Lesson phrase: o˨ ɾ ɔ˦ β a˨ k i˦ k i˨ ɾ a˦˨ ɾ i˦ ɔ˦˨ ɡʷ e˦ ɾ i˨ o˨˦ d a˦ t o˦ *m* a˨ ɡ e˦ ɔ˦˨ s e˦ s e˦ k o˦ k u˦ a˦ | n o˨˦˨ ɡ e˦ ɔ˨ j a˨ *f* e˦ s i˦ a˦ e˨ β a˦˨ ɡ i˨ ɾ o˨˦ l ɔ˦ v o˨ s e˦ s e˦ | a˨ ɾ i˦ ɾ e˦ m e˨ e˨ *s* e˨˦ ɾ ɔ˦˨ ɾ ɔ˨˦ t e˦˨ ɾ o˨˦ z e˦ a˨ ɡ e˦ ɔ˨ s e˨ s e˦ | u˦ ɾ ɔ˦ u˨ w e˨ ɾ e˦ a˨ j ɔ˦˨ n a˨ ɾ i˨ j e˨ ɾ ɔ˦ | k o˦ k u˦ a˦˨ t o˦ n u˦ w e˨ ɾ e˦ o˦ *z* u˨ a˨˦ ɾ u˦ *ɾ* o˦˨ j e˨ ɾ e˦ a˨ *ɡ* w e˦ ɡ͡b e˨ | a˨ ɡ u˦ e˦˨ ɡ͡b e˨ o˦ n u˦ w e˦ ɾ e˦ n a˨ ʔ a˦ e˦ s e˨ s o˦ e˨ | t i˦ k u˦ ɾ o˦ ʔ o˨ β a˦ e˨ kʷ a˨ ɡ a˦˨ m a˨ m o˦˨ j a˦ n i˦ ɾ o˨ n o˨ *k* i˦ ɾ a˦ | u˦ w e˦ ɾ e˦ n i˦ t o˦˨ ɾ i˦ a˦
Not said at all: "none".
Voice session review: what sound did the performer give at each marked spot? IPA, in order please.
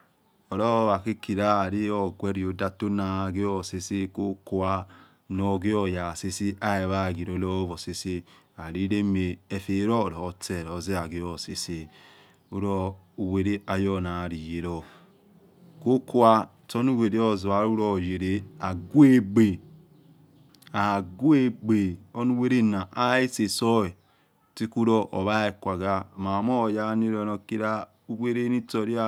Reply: n, s, f, z, ɾ, ɡ, k

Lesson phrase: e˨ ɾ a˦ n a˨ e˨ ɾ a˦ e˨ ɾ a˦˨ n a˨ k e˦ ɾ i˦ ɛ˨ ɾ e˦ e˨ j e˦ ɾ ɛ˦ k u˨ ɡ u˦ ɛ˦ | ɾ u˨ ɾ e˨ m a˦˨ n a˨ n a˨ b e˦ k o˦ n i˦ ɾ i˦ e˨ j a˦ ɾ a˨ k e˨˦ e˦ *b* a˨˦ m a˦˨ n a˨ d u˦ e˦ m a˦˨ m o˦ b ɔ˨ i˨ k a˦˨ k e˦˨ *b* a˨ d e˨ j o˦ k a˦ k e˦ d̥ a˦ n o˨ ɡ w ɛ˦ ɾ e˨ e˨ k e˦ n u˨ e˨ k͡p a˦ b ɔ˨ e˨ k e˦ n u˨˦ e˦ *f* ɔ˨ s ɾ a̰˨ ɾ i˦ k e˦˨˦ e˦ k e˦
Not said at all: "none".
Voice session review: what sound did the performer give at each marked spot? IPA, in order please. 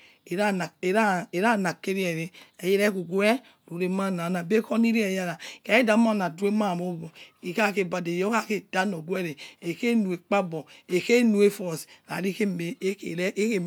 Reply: d, b, f

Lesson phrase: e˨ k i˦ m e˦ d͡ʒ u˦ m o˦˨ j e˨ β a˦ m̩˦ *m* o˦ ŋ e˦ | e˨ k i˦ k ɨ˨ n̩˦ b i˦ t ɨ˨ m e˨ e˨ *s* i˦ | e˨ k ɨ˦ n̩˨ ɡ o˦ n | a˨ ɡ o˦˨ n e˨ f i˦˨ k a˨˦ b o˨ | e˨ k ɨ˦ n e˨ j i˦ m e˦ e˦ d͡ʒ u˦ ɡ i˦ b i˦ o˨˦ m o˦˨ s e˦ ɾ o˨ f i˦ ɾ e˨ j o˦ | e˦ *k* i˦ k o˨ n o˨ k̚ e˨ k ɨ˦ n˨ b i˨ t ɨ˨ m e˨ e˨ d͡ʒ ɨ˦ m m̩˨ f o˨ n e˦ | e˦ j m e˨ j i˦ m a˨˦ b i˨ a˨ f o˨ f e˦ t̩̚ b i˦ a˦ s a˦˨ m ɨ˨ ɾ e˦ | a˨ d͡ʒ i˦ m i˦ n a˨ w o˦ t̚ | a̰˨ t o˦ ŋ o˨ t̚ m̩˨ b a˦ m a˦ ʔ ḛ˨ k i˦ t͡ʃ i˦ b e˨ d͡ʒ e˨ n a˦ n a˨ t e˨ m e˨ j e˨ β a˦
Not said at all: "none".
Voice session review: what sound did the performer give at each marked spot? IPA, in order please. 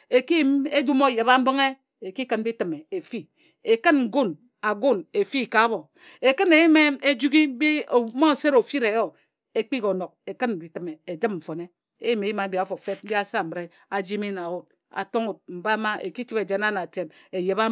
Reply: b, f, k͡p

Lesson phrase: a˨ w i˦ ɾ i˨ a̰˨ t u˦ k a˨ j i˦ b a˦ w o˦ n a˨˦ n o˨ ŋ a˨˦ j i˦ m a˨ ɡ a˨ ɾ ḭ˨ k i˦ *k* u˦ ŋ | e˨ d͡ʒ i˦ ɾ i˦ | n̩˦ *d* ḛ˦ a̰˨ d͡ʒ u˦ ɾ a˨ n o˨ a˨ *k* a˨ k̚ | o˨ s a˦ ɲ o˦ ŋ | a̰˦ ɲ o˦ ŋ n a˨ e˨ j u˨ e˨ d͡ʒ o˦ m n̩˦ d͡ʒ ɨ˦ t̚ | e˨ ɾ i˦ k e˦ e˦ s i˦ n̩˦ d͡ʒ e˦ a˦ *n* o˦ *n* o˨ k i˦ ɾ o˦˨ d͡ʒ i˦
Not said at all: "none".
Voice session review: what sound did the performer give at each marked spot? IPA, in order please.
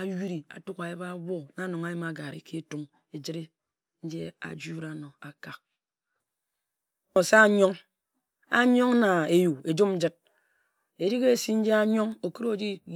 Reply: t, d͡ʒ, k, ɲ, ŋ

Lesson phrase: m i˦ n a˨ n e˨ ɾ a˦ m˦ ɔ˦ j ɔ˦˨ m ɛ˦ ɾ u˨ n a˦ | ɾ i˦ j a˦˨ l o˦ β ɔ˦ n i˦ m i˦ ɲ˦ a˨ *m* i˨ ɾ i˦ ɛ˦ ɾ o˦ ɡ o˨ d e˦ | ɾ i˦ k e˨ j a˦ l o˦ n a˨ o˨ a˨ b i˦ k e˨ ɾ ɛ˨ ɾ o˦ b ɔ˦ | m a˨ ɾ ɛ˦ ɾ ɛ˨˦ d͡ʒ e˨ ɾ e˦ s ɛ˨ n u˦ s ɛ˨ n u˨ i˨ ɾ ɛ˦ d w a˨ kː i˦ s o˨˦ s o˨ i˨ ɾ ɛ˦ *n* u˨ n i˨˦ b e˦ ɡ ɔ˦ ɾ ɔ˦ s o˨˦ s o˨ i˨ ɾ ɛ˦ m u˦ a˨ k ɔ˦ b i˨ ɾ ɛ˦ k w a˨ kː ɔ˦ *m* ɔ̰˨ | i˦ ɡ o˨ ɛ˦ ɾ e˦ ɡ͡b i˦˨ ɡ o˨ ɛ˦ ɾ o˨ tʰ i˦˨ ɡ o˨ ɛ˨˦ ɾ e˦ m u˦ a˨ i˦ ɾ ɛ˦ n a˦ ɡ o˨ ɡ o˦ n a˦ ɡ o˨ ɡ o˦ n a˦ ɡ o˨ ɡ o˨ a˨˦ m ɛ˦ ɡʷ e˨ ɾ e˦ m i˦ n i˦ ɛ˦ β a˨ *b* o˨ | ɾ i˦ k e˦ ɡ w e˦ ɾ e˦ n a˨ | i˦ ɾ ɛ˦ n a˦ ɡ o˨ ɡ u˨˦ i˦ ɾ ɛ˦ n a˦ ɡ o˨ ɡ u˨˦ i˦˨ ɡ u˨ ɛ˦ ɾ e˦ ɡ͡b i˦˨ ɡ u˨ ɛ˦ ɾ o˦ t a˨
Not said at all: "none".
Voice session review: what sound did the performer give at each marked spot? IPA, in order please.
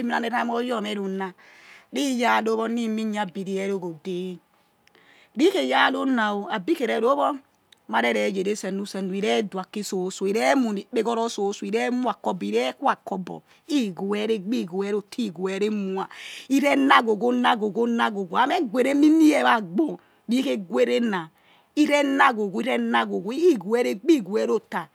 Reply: b, m, b, ɡ͡b

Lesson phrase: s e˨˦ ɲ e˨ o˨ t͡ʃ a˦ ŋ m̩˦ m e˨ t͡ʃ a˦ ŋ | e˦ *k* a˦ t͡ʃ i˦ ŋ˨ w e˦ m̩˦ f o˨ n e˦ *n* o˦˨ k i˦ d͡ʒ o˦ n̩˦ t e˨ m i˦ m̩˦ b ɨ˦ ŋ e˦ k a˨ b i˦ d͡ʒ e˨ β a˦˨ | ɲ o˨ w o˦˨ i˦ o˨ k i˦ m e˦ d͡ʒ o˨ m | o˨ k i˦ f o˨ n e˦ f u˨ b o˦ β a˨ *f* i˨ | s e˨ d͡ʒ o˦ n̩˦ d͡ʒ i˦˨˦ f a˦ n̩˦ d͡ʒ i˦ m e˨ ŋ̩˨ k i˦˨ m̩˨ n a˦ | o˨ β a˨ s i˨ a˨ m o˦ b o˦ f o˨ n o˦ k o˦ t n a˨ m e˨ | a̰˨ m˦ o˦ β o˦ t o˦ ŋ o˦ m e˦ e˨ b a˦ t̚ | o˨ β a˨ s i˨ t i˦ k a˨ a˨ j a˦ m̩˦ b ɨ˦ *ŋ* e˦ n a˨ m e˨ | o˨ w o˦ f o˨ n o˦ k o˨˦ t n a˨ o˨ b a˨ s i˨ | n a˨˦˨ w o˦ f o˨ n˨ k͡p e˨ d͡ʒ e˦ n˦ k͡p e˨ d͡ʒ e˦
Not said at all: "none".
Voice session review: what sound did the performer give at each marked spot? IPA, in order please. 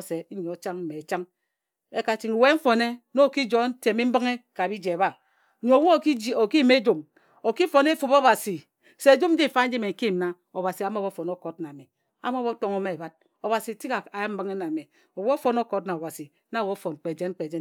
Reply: k, n, s, ŋ

